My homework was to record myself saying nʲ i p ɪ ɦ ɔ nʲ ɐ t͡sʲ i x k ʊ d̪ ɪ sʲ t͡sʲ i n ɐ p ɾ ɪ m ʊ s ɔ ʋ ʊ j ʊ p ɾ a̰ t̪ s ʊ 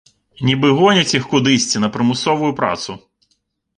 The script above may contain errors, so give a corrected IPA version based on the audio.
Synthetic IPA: nʲ i b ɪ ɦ ɔ nʲ ɐ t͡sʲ i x k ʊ d̪ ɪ sʲ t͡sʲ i n ɐ p ɾ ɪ m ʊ s ɔ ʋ ʊ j ʊ p ɾ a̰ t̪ s ʊ